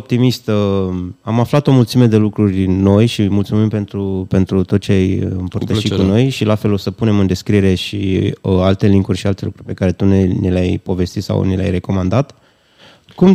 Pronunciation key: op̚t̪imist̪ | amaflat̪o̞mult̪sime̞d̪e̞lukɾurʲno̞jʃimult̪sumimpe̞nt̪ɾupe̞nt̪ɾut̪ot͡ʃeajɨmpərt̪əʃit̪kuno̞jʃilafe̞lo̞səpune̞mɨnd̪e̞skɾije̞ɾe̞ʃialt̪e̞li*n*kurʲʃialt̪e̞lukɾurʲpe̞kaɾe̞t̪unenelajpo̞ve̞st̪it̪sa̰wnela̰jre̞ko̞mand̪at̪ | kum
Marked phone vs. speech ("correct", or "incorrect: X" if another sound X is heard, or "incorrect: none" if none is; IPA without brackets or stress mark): incorrect: ŋ